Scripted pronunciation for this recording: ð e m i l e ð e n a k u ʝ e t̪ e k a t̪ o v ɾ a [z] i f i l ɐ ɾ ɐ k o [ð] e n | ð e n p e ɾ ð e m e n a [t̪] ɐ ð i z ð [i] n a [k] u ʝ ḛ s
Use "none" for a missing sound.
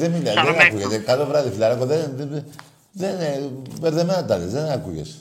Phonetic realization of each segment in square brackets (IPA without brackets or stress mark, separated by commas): ð, ð, t̪, e, k